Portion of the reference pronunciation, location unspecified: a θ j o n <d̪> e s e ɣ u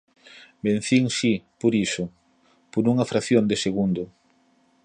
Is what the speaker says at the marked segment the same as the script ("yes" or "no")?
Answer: yes